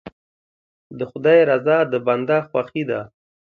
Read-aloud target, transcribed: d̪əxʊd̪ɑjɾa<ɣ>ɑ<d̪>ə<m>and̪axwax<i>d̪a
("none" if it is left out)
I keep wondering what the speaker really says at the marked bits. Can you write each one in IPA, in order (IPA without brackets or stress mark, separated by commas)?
z, d̪, b, i